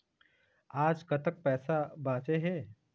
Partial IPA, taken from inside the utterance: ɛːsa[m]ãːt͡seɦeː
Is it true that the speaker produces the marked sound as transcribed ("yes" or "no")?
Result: no